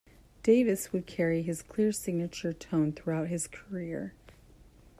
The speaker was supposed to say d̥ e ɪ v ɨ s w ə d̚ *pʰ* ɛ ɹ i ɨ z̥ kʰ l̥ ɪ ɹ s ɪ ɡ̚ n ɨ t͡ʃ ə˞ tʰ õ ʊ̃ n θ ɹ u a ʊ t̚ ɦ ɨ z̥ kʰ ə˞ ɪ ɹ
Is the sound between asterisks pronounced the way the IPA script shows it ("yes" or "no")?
no